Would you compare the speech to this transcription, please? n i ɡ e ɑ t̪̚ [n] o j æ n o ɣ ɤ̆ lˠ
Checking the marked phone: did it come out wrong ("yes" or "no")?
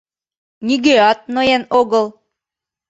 no